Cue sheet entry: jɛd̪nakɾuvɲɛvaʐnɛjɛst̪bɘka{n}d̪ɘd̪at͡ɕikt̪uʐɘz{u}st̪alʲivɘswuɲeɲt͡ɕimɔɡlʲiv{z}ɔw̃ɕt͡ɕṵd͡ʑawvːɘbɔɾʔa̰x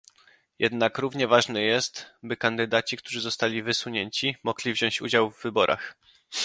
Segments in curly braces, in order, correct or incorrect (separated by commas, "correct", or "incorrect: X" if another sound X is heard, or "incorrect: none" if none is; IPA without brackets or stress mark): correct, incorrect: ɔ, incorrect: ʑ